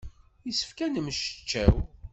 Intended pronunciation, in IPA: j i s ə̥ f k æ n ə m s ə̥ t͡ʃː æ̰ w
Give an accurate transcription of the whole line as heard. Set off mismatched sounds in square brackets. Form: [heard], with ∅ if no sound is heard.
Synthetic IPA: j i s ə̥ f k æ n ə m [ʃ] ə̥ t͡ʃː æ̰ w

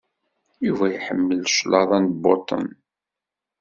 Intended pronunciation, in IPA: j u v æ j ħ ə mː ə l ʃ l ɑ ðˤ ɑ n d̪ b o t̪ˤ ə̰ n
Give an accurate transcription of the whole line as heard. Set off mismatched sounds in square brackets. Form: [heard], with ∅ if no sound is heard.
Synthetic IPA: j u v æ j ħ ə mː ə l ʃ l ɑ ðˤ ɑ n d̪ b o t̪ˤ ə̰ n

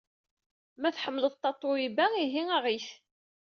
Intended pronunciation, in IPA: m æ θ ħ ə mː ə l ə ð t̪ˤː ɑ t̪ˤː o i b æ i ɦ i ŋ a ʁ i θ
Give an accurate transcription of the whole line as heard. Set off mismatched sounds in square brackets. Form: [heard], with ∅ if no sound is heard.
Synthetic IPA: m æ θ ħ ə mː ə l ə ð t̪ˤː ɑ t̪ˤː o i b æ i ɦ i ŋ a ʁ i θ

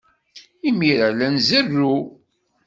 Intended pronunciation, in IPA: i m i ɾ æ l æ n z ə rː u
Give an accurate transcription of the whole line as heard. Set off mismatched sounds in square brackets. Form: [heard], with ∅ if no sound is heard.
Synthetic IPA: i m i ɾ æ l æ n z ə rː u

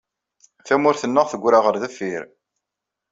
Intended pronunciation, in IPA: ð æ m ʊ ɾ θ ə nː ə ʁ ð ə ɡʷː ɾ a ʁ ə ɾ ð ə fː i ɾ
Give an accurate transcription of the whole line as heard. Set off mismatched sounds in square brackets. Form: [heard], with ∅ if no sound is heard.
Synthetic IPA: [θ] æ m ʊ ɾ θ ə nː ə ʁ [θ] ə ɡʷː ɾ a ʁ ə ɾ ð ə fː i ɾ

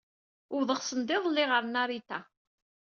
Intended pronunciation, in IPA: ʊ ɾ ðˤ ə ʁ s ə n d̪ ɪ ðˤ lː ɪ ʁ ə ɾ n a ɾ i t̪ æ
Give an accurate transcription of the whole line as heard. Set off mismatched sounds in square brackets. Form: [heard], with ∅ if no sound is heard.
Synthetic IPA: ʊ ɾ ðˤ ə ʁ s ə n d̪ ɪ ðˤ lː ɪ ʁ ə ɾ n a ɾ i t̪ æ

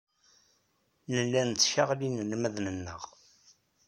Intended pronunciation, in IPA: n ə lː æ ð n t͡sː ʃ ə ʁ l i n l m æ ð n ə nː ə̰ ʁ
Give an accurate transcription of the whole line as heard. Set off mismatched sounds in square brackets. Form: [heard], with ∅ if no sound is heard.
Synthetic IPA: n ə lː æ [∅] n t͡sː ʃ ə ʁ l i n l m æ ð n ə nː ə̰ ʁ

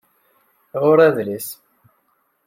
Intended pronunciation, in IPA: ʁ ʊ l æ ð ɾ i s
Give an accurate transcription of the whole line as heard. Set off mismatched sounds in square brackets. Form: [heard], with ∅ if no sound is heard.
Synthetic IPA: ʁ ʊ [ɾ] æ ð [l] i s

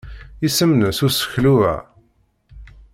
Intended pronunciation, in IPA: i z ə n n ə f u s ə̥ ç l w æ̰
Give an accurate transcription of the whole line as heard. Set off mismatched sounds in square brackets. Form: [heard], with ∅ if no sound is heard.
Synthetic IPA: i [s] ə [m] n ə [s] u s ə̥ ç l [u] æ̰

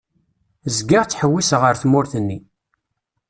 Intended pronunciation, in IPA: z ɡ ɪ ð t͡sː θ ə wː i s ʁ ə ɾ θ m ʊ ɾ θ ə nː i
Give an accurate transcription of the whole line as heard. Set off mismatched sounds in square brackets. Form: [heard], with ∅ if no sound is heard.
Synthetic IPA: z ɡ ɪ [ʁ] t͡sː [ħ] ə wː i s ʁ ə ɾ θ m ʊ ɾ θ ə nː i

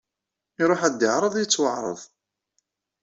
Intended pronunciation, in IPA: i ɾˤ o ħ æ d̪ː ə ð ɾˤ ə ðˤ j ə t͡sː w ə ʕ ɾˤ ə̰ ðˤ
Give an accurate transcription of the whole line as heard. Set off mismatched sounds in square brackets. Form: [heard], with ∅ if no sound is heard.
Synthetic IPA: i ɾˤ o ħ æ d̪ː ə [ʕ] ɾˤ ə ðˤ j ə t͡sː w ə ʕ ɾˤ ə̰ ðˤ

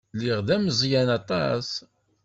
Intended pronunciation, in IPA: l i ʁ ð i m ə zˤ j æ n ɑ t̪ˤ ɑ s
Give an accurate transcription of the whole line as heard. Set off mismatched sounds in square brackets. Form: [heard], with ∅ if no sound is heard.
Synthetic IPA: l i ʁ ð [æ] m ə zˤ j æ n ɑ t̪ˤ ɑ s

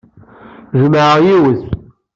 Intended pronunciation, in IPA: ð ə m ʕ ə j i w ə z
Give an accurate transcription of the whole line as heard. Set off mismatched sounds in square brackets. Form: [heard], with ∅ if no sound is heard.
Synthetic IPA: [ʒ] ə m ʕ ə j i w ə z

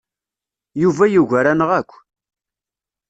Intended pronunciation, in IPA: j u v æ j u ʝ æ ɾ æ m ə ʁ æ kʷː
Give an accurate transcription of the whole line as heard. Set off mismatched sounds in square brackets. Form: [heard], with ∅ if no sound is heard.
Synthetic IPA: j u v æ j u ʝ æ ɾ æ [n] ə ʁ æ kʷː

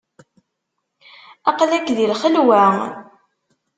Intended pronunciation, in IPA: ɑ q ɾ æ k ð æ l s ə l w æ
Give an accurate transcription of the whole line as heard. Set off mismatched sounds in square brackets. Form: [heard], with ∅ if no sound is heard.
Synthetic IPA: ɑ q [l] æ k ð [i] l [χ] ə l w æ

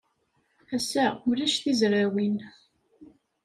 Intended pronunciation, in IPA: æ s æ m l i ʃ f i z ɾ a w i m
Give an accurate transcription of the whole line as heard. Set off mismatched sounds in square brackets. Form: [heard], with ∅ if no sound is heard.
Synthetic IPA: æ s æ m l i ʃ [θ] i z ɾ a w i [n]

